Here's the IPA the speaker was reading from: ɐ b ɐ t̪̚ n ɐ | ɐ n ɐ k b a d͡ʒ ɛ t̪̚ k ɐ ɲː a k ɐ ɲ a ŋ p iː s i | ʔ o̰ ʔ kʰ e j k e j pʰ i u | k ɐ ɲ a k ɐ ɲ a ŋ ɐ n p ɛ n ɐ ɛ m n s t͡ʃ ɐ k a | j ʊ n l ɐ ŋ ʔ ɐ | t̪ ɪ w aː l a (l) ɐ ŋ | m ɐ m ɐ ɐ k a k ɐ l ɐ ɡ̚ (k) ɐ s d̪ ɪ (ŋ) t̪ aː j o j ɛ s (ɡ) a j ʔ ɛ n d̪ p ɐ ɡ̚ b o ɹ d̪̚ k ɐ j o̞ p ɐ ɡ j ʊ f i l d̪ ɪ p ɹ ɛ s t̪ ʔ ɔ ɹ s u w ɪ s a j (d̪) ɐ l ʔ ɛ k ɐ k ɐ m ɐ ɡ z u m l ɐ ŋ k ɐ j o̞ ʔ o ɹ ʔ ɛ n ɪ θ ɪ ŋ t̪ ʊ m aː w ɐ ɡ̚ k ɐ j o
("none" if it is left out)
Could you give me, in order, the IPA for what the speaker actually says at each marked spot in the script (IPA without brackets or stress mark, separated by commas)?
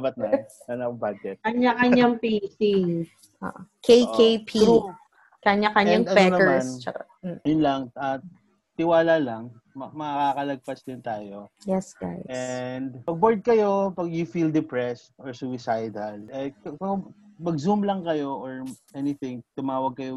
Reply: l, p, n, ɡ, d̪